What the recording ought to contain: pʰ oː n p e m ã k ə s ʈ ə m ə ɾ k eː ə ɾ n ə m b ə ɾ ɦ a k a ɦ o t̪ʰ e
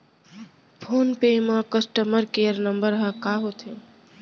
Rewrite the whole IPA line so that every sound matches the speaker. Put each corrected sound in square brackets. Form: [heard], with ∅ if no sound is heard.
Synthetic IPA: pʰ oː n p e m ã k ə s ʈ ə m ə ɾ k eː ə ɾ n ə m b ə ɾ ɦ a k a ɦ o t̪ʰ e